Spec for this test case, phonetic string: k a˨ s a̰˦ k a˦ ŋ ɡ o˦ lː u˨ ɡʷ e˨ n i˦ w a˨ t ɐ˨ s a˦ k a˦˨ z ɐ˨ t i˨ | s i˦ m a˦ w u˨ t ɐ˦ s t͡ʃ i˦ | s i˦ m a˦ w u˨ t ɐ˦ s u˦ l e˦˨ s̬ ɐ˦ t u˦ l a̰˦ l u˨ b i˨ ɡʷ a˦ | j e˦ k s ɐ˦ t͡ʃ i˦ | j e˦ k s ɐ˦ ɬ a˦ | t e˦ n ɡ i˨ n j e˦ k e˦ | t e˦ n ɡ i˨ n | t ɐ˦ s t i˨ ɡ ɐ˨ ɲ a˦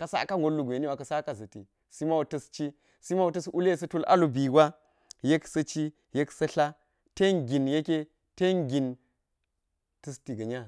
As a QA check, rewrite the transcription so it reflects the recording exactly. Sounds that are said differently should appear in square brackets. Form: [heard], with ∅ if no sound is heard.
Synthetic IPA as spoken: k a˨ s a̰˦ k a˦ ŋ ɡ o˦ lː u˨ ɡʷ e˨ n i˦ w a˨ [k] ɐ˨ s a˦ k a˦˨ z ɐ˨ t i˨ | s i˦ m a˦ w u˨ t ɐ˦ s t͡ʃ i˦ | s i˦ m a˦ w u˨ t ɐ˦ s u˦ l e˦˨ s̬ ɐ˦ t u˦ l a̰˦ l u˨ b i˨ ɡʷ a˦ | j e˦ k s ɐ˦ t͡ʃ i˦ | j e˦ k s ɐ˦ ɬ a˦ | t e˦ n ɡ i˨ n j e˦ k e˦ | t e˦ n ɡ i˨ n | t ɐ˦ s t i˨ ɡ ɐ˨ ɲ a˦